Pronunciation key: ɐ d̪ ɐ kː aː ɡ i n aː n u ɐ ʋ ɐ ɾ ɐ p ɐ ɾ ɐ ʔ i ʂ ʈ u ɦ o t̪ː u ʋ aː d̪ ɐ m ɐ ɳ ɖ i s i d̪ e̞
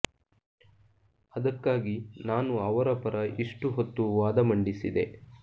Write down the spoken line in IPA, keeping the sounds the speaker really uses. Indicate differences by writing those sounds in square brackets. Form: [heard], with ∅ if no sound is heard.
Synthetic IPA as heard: ɐ d̪ ɐ kː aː ɡ i n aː n u ɐ ʋ ɐ ɾ ɐ p ɐ ɾ ɐ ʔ i ʂ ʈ u ɦ o t̪ː u ʋ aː d̪ ɐ m ɐ ɳ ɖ i s i d̪ e̞